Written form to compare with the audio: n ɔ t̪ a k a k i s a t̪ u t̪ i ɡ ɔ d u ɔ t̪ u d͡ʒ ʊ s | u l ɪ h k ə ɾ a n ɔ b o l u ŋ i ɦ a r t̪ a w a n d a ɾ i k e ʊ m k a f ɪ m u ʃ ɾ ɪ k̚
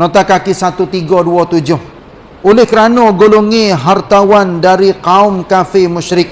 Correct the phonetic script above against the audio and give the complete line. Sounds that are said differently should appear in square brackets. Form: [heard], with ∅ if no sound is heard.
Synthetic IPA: n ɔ t̪ a k a k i s a t̪ u t̪ i ɡ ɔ d u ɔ t̪ u d͡ʒ ʊ [h] | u l ɪ h k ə ɾ a n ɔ [ɡ] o l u ŋ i ɦ a r t̪ a w a n d a ɾ i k [a] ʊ m k a f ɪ m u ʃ ɾ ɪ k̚